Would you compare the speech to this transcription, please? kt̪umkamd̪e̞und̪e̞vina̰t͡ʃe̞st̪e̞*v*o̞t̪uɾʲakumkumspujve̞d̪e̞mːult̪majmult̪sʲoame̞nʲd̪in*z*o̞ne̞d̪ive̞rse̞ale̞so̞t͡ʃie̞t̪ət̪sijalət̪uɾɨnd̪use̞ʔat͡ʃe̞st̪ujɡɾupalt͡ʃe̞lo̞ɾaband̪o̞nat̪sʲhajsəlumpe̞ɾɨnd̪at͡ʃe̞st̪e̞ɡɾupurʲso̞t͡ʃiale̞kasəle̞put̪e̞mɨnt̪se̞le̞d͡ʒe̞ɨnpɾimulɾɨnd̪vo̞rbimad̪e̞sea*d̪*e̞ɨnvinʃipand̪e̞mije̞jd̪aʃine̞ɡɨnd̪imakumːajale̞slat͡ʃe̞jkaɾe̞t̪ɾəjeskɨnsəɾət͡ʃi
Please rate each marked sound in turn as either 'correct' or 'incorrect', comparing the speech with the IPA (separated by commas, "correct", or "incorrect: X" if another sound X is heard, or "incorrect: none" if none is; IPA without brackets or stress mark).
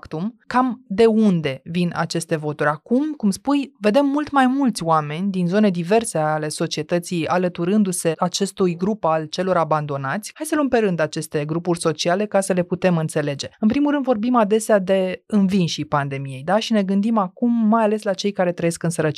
correct, correct, correct